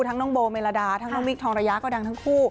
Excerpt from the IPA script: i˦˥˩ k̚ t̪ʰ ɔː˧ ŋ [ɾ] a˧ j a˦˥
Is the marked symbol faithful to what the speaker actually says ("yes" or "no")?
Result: yes